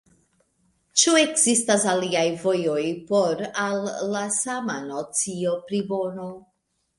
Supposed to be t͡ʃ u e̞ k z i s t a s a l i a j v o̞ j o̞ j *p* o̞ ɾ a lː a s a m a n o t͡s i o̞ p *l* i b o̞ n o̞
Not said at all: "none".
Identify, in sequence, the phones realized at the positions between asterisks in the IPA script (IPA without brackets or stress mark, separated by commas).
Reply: p, ɾ